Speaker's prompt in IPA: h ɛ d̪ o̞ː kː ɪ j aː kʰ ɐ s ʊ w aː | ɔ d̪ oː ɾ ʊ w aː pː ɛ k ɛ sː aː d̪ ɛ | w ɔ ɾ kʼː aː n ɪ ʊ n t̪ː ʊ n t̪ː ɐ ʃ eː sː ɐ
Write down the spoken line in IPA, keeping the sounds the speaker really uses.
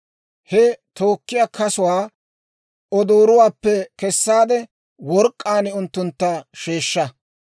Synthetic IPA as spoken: h ɛ t̪ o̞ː kː ɪ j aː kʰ ɐ s ʊ w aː | ɔ d̪ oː ɾ ʊ w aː pː ɛ k ɛ sː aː d̪ ɛ | w ɔ ɾ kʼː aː n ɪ ʊ n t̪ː ʊ n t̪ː ɐ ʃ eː ʃː ɐ